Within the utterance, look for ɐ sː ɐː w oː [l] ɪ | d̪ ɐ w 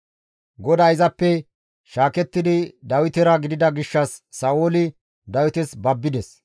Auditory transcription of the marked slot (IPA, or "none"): l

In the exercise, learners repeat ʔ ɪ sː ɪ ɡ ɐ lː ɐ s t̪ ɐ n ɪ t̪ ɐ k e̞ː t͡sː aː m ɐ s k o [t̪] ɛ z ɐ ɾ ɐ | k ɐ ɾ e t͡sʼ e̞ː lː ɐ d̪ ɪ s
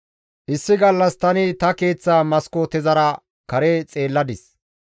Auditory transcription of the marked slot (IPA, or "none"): t̪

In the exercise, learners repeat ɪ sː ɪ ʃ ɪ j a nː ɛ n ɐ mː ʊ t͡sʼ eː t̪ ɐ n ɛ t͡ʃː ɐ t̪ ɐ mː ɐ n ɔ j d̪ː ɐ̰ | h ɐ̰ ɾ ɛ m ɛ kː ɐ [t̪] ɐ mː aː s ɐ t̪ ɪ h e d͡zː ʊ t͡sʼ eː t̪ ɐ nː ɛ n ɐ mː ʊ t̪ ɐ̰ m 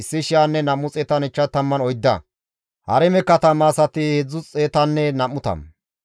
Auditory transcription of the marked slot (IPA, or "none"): t̪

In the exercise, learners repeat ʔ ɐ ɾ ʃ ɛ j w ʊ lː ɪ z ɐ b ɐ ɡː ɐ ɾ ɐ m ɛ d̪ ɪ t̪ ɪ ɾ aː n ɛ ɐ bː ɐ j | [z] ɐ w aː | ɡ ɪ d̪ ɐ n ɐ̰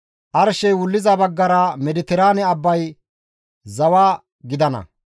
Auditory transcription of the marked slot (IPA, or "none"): z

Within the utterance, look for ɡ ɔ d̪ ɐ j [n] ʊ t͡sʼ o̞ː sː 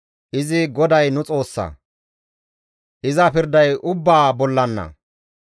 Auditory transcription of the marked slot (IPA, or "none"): n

